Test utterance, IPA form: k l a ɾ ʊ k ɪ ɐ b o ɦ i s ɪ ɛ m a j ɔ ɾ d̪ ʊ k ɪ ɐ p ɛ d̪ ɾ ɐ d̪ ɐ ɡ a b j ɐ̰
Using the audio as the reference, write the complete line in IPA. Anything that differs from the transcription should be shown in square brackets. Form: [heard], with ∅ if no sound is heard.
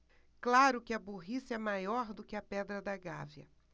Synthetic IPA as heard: k l a ɾ ʊ k ɪ ɐ b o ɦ i s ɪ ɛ m a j ɔ ɾ d̪ ʊ k ɪ ɐ p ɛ d̪ ɾ ɐ d̪ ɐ ɡ a [v] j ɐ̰